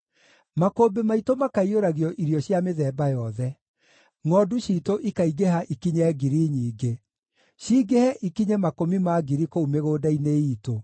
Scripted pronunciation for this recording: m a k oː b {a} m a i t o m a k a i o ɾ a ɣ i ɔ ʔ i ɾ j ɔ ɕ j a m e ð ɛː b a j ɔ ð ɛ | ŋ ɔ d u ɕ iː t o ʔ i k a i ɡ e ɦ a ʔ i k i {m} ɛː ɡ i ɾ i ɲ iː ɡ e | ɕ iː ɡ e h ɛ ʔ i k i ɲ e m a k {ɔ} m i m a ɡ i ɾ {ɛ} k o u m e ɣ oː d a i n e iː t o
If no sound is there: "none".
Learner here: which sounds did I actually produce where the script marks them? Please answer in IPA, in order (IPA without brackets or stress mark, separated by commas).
e, ɲ, o, i